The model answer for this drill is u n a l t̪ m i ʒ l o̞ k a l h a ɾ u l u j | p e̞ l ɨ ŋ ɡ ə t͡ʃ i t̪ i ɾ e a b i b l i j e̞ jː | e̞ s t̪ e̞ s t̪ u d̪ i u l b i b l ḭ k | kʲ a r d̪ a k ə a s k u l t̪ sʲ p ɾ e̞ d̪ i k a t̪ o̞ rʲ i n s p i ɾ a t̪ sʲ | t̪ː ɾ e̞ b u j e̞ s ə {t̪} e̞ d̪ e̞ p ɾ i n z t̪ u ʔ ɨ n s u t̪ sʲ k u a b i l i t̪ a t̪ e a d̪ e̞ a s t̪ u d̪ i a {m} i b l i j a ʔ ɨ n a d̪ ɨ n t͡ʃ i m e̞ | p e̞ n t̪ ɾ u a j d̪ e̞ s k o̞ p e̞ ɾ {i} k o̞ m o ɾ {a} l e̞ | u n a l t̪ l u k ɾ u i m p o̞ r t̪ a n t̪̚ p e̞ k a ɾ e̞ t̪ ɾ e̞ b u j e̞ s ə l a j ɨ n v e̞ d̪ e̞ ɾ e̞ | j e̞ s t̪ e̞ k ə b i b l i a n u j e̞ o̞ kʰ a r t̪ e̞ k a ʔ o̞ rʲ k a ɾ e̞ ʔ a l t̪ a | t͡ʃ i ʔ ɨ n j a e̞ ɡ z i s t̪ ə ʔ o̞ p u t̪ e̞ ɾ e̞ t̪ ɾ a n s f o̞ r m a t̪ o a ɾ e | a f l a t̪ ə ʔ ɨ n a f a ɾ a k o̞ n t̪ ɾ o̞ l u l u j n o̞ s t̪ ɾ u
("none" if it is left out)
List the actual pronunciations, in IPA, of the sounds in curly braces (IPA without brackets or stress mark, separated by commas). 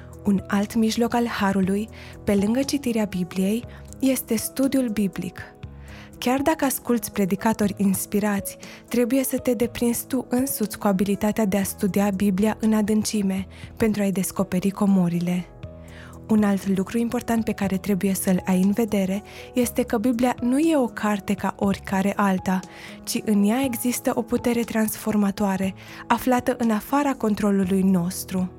t̪, b, i, i